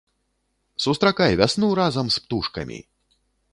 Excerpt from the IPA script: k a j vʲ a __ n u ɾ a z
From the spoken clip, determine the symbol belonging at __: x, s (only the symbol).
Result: s